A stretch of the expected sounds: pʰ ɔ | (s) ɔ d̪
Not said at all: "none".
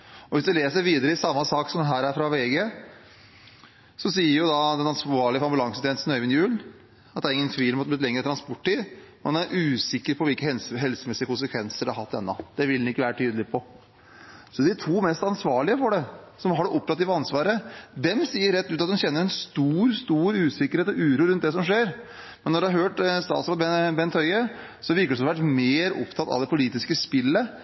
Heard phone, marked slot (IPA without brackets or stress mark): s